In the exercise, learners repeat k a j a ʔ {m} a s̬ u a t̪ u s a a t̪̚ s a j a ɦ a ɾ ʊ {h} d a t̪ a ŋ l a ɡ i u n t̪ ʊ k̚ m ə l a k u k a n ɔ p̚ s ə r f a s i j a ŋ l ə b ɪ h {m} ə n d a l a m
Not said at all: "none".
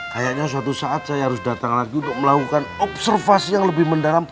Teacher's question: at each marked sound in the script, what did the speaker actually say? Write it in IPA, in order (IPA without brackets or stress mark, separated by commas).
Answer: ɲ, s, m